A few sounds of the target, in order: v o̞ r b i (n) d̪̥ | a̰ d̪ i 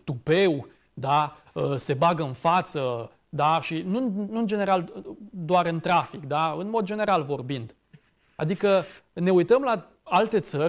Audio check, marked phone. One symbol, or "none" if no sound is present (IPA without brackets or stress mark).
n